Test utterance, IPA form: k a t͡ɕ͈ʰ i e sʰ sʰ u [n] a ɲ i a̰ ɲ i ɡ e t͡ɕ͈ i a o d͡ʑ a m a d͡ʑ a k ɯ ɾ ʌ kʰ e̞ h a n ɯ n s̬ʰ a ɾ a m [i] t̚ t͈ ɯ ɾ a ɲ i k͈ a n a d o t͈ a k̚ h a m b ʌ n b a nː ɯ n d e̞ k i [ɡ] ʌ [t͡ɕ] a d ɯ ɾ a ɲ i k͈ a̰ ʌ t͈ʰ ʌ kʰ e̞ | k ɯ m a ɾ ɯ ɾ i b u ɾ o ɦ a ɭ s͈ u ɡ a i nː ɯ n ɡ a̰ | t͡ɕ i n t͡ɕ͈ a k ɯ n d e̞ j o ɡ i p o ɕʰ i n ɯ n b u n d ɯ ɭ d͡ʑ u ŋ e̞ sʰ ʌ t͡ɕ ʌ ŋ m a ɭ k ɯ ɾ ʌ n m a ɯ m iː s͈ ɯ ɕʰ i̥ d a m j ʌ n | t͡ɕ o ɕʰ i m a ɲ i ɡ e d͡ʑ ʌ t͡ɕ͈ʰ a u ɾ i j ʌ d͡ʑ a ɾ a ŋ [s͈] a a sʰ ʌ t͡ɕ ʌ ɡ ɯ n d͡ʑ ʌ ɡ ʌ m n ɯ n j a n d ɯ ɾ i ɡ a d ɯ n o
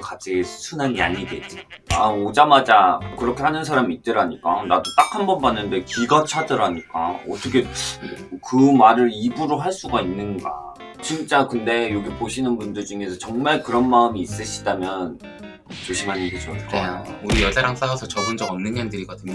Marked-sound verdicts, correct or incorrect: correct, incorrect: iː, correct, incorrect: t͡ɕʰ, correct

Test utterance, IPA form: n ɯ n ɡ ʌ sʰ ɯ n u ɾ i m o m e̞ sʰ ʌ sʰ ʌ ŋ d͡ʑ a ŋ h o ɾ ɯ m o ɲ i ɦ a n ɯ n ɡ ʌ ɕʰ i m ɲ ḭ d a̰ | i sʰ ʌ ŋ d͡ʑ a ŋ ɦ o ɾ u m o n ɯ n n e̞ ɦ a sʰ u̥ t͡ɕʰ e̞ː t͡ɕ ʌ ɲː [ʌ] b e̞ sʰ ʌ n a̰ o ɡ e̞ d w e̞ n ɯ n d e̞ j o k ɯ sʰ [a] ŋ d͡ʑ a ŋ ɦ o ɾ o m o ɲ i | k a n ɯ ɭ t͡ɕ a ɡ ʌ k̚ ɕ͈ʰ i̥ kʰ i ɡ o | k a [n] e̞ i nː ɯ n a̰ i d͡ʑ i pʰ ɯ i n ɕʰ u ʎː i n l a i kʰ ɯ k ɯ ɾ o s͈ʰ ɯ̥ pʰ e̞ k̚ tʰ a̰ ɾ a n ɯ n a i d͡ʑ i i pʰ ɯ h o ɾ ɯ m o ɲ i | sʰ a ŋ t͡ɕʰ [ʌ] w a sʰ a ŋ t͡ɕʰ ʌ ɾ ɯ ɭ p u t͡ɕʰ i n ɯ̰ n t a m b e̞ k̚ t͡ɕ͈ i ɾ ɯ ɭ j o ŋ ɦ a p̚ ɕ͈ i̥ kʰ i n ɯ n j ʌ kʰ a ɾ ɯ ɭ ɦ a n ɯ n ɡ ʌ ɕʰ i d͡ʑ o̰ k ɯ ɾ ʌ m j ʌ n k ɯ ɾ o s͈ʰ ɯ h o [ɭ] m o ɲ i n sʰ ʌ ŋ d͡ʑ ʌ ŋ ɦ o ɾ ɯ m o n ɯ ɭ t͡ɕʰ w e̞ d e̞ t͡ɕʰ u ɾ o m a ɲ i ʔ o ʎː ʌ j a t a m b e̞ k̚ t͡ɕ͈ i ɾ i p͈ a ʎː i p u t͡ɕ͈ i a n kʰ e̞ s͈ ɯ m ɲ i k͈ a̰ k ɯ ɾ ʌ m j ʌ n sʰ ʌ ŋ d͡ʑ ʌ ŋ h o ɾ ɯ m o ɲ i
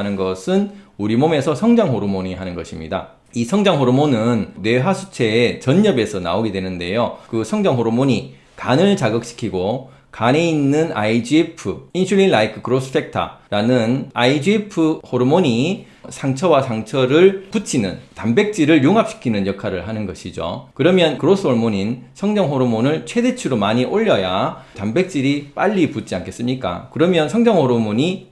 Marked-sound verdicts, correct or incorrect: correct, incorrect: ʌ, correct, correct, correct

